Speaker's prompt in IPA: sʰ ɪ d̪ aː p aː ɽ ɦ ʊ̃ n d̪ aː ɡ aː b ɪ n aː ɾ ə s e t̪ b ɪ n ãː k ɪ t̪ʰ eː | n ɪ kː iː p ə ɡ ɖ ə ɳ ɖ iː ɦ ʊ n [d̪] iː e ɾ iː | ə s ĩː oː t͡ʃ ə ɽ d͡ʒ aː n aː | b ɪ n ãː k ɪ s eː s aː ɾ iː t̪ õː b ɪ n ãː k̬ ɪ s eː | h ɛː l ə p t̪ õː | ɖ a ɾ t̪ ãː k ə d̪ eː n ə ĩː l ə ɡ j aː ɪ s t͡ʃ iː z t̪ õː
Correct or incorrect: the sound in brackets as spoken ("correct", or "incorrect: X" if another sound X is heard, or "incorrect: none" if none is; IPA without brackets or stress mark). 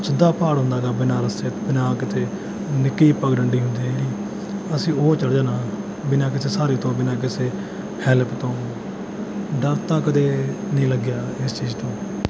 correct